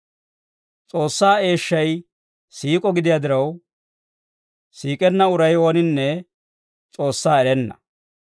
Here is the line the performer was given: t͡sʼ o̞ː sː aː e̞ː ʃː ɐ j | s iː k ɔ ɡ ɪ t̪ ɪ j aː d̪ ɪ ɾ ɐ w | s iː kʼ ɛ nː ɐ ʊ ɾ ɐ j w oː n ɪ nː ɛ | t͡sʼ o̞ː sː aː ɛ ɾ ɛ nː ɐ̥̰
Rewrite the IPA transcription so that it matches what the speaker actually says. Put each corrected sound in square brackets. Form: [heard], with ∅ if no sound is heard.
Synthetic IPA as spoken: t͡sʼ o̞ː sː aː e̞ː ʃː ɐ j | s iː [kʼ] ɔ ɡ ɪ [d̪] ɪ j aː d̪ ɪ ɾ ɐ w | s iː kʼ ɛ nː ɐ ʊ ɾ ɐ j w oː n ɪ nː ɛ | t͡sʼ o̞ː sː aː ɛ ɾ ɛ nː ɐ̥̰